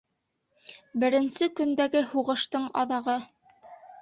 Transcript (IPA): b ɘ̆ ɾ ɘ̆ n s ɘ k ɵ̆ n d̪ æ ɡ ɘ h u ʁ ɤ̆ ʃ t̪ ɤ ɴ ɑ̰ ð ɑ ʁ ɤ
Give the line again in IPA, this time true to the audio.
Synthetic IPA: b ɘ̆ ɾ ɘ̆ n s ɘ k ɵ̆ n d̪ æ ɡ ɘ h u ʁ ɤ̆ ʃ t̪ ɤ ɴ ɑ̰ ð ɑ ʁ ɤ